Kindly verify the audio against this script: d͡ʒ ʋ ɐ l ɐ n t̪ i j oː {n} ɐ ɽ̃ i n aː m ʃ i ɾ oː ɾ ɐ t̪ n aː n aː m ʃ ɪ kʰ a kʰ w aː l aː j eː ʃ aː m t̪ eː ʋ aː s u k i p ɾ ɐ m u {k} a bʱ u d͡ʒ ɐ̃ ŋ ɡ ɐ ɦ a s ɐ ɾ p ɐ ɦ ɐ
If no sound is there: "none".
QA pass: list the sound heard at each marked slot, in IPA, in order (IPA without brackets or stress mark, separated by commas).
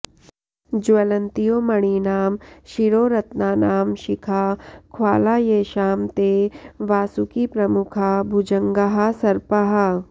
m, kʰ